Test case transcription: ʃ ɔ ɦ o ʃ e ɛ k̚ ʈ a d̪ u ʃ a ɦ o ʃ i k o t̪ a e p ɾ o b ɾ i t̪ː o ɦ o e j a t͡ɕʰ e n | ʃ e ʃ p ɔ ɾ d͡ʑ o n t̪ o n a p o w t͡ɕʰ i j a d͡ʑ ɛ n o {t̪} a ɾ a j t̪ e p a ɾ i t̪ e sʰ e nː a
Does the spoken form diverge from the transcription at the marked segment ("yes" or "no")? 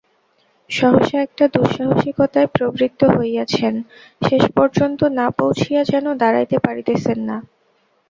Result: yes